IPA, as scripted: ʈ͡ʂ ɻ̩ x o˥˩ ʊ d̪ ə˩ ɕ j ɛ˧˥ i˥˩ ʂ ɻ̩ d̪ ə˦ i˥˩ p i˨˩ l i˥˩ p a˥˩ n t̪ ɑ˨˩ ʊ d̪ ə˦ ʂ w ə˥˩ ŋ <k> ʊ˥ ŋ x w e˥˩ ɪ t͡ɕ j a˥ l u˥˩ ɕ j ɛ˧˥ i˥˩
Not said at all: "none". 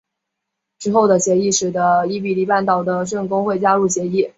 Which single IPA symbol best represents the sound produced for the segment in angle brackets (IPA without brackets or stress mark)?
k